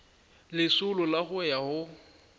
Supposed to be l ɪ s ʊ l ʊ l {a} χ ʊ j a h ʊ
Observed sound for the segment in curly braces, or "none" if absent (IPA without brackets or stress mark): a